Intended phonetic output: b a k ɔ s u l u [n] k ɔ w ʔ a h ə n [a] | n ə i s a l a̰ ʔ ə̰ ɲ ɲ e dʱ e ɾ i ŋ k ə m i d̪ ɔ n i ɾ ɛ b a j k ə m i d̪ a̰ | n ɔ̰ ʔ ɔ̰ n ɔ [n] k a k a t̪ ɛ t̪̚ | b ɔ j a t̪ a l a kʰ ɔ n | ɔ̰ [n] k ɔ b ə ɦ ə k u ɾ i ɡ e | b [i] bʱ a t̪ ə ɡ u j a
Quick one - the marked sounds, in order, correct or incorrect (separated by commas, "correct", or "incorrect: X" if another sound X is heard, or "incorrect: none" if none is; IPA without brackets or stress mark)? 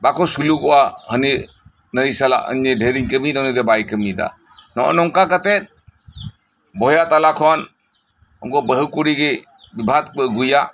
incorrect: none, incorrect: i, incorrect: ŋ, incorrect: ŋ, correct